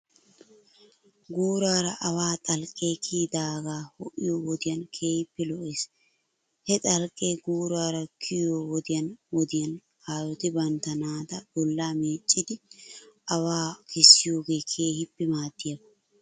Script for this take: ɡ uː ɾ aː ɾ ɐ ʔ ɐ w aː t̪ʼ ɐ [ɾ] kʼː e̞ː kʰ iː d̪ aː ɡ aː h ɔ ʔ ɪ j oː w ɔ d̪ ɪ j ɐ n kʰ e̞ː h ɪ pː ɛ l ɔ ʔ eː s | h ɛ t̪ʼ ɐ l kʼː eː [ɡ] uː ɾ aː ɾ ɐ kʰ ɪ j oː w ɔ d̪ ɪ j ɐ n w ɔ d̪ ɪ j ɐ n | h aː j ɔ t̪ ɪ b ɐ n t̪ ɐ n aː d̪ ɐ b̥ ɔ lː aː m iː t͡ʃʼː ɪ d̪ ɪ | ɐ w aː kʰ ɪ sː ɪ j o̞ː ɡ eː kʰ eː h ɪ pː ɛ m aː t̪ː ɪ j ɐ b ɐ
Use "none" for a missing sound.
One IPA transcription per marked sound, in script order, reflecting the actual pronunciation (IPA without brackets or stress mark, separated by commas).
l, ɡ